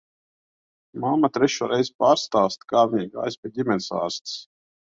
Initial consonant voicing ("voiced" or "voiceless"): voiced